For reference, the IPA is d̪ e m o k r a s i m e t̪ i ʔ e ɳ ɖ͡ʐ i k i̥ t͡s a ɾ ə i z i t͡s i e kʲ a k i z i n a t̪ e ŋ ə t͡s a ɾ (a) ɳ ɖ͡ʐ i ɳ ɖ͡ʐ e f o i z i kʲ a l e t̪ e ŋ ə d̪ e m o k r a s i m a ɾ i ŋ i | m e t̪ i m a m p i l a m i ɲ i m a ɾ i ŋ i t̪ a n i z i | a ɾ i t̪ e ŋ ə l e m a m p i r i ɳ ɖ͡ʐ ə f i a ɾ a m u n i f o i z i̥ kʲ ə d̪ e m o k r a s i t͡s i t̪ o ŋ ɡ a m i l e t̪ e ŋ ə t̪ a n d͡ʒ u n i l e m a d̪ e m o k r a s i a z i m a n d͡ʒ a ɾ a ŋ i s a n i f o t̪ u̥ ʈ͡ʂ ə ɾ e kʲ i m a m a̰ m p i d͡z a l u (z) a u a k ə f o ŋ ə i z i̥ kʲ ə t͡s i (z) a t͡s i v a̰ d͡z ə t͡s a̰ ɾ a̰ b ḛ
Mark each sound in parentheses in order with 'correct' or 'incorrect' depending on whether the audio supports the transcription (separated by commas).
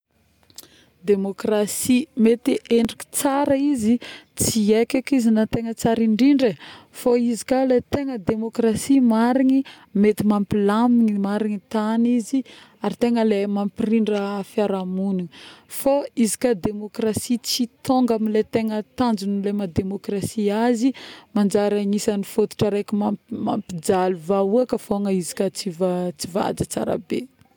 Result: incorrect, incorrect, incorrect